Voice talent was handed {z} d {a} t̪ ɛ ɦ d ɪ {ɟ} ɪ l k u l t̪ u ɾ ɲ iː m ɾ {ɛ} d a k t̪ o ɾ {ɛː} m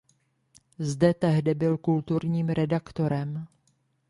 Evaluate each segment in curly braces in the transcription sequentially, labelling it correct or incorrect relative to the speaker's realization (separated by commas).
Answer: correct, incorrect, incorrect, correct, incorrect